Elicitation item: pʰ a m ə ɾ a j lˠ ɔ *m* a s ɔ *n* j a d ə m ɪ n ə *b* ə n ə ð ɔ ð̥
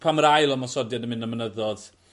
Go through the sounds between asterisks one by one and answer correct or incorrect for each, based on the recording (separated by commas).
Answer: correct, incorrect, incorrect